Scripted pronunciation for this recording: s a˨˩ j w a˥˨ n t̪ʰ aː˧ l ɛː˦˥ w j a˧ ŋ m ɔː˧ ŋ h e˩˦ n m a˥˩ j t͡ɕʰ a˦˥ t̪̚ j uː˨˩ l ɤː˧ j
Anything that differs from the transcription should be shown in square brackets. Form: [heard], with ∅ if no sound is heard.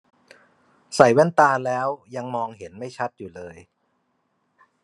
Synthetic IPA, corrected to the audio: s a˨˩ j w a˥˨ n [t̪] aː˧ l ɛː˦˥ w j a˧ ŋ m ɔː˧ ŋ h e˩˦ n m a˥˩ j t͡ɕʰ a˦˥ t̪̚ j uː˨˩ l ɤː˧ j